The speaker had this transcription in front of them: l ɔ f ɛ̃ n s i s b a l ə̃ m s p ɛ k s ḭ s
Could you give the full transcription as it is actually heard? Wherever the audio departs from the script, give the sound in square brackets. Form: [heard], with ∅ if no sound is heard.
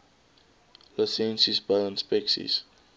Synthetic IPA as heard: l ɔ [s] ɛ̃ n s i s b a l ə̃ [n] s p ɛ k s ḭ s